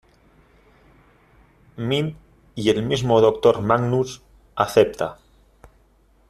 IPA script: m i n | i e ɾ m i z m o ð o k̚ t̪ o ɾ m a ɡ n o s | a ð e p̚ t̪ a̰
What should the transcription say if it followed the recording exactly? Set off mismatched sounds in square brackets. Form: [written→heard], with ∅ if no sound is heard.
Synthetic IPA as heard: m i n | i e [ɾ→l] m i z m o ð o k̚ t̪ o ɾ m a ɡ n [o→u] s | a [ð→θ] e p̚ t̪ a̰